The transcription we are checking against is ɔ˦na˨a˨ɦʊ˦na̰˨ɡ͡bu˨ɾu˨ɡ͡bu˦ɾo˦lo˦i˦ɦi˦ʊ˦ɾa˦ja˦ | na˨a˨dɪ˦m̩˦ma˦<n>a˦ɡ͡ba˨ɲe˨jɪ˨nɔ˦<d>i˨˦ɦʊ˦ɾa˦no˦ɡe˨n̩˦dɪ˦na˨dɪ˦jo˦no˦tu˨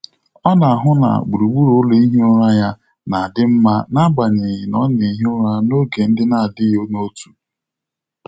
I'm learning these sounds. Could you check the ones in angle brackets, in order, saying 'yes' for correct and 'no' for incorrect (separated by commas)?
yes, no